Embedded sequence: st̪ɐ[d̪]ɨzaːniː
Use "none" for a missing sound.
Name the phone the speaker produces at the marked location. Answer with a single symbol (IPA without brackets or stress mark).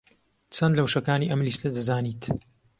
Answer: d̪